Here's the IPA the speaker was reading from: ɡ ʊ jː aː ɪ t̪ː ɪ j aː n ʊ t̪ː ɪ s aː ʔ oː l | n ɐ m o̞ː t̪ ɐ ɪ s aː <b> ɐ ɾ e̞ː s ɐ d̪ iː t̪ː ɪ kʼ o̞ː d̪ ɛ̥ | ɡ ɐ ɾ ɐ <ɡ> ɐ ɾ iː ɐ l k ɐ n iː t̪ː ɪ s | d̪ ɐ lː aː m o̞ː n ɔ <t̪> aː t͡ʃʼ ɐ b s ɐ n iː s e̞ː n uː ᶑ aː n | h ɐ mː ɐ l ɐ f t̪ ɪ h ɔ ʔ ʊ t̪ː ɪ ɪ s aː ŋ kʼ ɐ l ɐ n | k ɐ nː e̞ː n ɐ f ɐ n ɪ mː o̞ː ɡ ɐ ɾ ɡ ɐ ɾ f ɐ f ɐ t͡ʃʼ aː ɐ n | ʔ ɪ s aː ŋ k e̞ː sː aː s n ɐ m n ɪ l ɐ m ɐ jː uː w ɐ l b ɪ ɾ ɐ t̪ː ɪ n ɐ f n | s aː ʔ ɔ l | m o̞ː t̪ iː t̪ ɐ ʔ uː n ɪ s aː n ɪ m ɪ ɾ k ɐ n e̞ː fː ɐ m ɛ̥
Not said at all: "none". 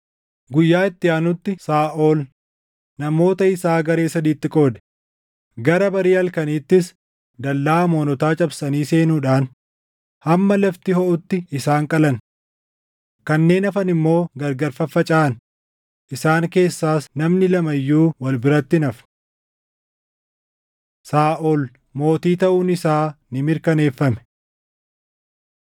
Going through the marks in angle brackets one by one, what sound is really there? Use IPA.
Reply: ɡ, b, t̪

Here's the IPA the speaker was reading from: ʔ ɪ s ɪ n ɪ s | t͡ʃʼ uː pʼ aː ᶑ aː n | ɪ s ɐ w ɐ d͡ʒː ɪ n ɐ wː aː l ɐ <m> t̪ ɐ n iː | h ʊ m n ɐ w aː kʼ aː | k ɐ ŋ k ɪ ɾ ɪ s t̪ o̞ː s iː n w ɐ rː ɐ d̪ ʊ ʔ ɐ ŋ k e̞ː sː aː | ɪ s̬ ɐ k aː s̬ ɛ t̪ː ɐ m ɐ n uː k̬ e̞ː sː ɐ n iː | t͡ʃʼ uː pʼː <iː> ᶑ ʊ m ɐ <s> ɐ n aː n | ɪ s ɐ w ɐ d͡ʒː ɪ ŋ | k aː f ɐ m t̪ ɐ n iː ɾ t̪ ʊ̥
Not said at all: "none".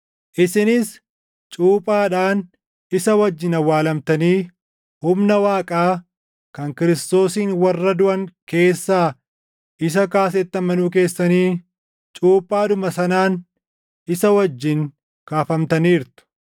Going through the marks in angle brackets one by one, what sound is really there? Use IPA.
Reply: m, aː, s

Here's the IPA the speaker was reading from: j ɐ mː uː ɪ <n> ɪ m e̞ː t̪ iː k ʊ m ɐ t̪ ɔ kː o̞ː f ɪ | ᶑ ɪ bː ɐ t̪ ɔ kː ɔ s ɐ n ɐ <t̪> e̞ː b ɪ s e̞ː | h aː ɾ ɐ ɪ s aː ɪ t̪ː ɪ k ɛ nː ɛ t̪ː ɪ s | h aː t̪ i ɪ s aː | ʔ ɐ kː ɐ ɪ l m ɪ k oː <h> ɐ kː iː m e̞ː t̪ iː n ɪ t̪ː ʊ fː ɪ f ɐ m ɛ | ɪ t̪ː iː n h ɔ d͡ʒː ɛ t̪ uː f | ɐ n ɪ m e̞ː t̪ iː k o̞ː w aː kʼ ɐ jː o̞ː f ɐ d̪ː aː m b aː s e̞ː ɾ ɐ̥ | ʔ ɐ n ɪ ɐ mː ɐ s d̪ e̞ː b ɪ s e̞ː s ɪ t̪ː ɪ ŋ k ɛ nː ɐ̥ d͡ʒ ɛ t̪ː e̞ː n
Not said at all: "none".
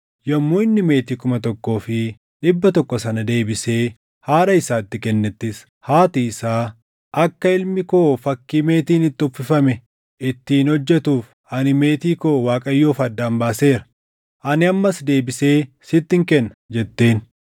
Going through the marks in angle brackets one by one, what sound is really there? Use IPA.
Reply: nː, d̪, f

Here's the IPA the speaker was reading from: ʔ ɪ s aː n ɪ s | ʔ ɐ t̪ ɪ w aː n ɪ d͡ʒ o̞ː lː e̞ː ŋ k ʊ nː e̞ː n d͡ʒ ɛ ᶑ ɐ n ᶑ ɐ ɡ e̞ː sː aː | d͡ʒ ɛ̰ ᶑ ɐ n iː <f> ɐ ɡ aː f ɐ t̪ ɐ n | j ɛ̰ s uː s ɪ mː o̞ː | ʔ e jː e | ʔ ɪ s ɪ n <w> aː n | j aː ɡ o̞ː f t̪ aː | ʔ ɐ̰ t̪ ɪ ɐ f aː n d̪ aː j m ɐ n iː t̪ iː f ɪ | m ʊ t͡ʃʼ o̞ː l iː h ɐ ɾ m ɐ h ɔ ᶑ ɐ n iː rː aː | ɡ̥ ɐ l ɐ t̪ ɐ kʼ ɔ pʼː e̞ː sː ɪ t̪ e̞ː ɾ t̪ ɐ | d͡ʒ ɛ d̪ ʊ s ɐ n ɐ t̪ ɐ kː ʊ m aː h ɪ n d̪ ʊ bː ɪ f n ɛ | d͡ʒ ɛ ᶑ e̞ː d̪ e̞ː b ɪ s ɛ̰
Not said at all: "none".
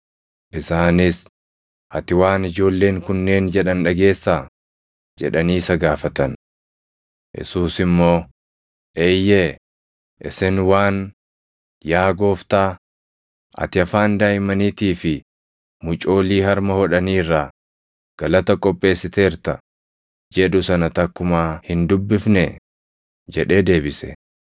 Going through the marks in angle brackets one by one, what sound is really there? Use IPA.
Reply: s, w

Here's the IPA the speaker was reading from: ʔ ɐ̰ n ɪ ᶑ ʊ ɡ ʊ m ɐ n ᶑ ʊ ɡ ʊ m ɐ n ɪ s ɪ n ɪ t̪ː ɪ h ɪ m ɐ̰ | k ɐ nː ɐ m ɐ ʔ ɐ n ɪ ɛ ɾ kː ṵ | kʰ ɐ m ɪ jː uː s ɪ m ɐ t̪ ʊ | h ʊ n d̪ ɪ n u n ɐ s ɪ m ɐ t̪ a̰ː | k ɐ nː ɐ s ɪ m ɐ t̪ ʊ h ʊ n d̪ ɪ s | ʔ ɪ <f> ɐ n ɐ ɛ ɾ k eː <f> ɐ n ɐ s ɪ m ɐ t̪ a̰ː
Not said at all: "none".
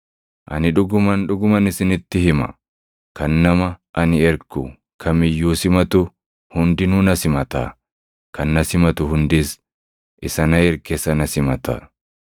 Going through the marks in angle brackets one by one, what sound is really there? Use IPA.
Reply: s, s

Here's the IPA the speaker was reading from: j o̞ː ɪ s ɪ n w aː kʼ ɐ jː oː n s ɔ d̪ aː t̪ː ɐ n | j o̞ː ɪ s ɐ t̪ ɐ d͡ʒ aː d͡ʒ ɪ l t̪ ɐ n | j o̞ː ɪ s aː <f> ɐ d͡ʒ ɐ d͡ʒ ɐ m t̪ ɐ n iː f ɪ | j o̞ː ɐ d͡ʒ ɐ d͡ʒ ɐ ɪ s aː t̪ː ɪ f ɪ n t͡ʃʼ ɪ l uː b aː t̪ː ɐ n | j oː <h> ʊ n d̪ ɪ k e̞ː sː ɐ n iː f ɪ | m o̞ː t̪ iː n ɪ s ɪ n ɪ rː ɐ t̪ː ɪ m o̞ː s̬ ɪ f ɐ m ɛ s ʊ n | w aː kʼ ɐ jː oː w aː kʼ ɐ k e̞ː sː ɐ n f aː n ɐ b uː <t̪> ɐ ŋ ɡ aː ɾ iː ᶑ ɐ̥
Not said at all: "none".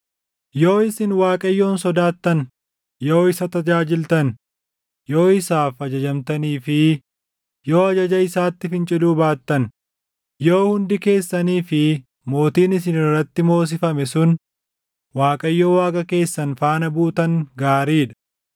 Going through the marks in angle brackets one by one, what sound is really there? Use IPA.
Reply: f, h, t̪

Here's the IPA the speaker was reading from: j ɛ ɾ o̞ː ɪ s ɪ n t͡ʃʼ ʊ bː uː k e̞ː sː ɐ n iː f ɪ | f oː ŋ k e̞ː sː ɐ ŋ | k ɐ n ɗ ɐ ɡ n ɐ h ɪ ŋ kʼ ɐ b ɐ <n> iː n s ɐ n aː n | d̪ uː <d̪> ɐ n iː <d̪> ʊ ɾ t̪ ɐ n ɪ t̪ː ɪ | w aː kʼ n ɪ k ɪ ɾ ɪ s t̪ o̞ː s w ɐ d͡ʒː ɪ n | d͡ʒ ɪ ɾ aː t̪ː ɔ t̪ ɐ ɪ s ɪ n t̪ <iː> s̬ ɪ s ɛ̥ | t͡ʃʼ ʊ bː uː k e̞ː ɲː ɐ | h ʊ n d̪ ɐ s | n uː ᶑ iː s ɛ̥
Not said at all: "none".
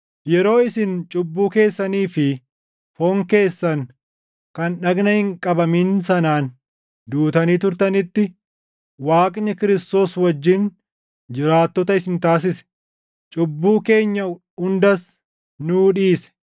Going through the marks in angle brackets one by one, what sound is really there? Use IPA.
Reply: m, t̪, t̪, aː

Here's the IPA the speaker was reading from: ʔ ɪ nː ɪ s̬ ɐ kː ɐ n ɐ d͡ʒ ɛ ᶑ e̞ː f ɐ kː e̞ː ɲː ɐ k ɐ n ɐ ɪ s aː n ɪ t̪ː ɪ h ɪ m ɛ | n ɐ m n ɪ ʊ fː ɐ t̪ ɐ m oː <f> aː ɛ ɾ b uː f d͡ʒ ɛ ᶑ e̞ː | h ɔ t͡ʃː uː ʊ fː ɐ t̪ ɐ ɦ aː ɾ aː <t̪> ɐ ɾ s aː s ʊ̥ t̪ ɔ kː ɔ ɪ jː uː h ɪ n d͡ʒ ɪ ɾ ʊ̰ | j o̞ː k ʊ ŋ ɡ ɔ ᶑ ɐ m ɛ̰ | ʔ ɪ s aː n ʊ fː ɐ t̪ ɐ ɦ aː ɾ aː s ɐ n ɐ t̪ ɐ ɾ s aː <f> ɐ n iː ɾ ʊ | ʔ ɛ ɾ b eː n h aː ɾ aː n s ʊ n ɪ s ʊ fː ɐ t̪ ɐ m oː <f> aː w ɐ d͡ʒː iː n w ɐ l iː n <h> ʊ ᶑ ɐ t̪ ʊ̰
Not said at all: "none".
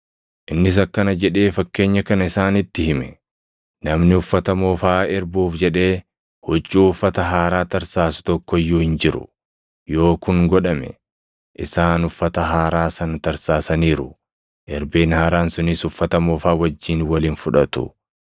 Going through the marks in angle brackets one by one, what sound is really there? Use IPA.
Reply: f, t̪, s, f, f

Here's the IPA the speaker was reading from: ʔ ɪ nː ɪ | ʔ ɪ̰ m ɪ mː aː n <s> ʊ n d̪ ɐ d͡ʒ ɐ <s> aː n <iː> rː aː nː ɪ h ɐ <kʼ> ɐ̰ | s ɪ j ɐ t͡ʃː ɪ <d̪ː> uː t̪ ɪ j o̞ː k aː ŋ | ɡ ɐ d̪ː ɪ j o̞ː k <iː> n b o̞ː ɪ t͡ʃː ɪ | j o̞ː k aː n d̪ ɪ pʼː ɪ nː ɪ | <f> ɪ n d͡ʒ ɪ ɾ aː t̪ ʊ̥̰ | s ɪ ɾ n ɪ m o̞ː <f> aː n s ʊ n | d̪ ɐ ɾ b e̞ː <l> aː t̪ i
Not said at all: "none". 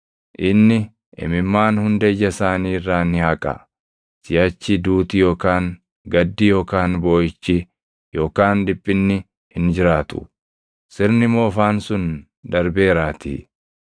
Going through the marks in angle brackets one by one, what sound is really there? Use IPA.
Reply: h, s, iː, kʼ, d̪, aː, h, f, ɾ

